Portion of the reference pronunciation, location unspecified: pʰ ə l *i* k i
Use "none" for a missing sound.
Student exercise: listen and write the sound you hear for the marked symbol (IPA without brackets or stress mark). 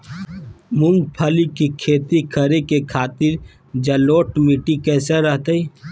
i